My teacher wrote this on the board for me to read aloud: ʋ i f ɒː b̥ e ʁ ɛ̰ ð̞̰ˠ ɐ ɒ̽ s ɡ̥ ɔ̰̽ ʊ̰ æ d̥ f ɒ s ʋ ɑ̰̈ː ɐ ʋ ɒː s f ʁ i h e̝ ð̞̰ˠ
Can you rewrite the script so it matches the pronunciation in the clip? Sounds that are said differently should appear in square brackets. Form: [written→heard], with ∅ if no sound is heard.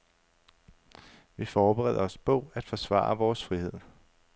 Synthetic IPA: ʋ i f ɒː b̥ e ʁ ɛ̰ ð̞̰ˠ ɐ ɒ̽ s [ɡ̥→b̥] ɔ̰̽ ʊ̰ æ d̥ f ɒ s ʋ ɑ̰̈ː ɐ ʋ ɒː s f ʁ i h e̝ ð̞̰ˠ